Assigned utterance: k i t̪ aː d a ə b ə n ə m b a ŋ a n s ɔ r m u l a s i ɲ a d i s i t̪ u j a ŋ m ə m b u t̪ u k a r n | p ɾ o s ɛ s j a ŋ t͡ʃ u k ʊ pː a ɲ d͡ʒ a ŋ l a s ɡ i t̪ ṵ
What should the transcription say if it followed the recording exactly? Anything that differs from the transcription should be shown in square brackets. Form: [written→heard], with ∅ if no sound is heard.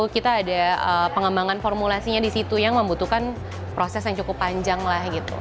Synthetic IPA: k i t̪ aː d a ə [b→p] ə [n→ŋ] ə m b a ŋ a n [s→f] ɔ r m u l a s i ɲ a d i s i t̪ u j a ŋ m ə m b u t̪ u k a [r→∅] n | p ɾ o s ɛ s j a ŋ t͡ʃ u k ʊ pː a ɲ d͡ʒ a ŋ l a [s→h] ɡ i t̪ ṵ